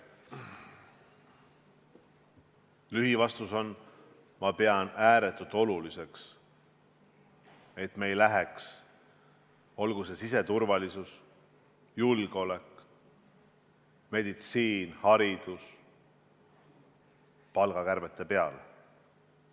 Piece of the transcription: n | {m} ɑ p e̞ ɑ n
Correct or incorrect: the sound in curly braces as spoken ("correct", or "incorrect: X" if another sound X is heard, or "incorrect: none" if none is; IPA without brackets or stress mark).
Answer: correct